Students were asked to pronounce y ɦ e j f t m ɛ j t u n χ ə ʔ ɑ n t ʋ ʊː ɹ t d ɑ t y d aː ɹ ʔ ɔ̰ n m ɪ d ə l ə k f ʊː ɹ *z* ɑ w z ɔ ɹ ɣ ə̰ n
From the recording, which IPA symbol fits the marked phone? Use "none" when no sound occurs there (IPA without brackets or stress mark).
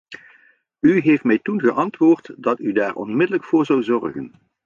z